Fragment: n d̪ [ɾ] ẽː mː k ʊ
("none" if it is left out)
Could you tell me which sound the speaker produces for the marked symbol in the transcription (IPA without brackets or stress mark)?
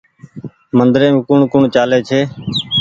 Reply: ɾ